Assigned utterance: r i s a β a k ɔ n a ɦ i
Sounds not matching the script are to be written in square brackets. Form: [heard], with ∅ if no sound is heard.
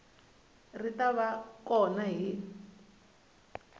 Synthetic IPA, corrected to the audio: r i [t] a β a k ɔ n a ɦ i